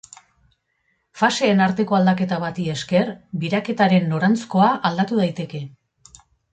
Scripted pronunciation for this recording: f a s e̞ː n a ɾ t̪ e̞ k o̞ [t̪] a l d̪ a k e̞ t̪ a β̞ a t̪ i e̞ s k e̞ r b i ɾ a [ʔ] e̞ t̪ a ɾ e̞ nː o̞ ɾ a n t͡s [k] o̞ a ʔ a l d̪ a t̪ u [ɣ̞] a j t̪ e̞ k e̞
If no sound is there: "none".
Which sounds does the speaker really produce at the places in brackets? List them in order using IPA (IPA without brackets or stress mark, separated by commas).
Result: none, k, k, ð̞